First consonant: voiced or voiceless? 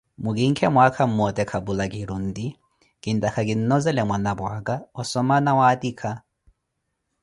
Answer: voiced